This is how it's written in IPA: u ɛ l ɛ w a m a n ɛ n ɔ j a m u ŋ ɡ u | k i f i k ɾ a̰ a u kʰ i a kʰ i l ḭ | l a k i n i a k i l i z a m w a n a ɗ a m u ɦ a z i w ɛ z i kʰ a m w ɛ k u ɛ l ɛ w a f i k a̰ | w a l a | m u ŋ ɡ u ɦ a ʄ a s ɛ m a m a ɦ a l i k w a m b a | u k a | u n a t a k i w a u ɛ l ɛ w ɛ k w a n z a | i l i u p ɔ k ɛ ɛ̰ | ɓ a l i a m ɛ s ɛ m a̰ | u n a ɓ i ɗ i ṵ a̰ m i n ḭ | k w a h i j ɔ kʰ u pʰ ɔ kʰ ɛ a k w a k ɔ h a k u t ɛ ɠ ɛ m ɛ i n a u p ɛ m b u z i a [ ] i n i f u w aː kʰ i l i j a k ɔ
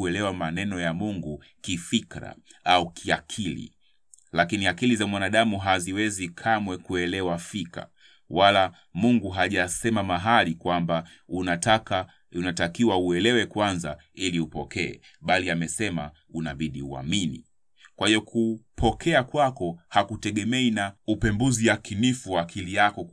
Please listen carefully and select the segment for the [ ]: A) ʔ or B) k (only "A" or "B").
B